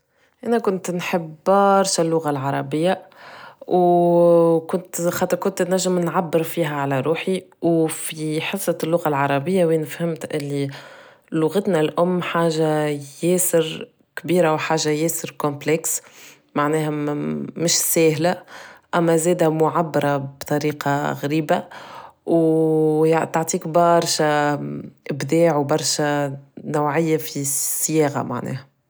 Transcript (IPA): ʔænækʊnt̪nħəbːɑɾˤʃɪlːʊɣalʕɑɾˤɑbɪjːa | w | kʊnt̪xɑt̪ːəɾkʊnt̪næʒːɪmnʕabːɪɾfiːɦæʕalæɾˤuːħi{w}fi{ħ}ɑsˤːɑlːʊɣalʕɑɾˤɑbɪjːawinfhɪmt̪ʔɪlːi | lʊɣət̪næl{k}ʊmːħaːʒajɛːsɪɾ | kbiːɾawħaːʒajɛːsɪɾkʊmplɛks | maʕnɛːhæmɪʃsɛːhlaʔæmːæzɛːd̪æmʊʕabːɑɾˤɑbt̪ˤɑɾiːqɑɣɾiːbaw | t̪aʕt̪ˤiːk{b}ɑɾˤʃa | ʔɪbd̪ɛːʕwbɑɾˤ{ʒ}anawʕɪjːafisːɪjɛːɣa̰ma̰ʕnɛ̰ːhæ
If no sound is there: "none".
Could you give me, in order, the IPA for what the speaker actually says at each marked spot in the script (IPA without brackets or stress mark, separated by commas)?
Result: w, ħ, ʔ, b, ʃ